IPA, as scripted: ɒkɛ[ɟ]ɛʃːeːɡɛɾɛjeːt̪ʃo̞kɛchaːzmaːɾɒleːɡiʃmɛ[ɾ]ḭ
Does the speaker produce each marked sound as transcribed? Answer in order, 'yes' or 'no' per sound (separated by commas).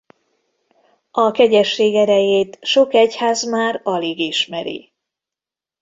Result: yes, yes